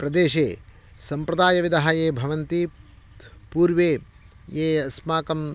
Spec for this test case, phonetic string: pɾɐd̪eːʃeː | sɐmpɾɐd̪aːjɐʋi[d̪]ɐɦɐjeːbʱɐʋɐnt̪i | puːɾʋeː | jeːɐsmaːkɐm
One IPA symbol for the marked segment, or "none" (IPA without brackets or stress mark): d̪